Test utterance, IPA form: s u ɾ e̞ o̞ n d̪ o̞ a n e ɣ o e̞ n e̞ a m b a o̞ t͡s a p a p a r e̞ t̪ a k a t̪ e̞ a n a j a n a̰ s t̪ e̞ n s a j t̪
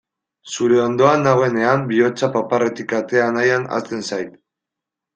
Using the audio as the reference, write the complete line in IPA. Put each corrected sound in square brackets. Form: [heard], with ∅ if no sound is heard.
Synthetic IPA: s u ɾ e̞ o̞ n d̪ o̞ a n [a] ɣ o e̞ n e̞ a m b [i] o̞ t͡s a p a p a r e̞ t̪ [i] k a t̪ e̞ a n a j a n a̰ s t̪ e̞ n s a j t̪